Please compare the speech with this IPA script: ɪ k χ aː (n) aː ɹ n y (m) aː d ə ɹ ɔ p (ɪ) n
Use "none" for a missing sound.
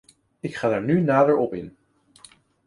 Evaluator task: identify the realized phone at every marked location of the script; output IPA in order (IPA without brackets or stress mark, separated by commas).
d, n, ɪ